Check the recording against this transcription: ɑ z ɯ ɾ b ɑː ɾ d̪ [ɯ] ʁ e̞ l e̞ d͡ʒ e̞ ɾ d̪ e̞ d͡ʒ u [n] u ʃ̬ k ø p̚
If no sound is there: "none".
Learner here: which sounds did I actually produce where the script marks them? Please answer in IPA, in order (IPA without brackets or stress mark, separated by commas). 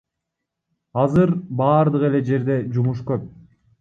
ɯ, m